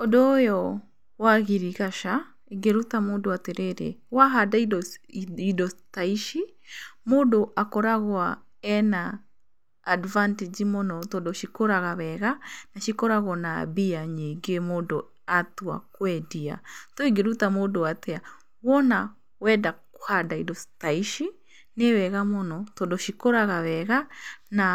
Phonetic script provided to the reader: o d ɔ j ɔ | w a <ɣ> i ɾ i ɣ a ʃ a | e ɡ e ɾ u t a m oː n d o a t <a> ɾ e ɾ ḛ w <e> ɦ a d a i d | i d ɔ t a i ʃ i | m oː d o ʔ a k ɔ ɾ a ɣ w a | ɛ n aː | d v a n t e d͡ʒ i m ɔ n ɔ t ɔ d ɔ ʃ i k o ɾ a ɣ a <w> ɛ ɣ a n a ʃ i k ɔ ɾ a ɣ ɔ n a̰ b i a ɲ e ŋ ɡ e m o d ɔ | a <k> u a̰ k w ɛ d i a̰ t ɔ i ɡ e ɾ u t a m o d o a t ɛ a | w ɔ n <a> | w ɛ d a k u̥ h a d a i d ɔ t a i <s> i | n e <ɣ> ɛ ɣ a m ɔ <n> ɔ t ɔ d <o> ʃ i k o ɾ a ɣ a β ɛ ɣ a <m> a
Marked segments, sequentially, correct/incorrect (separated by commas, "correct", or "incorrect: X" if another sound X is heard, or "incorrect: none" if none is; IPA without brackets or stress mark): correct, incorrect: e, incorrect: a, incorrect: β, incorrect: t, correct, incorrect: ʃ, incorrect: w, correct, incorrect: ɔ, incorrect: n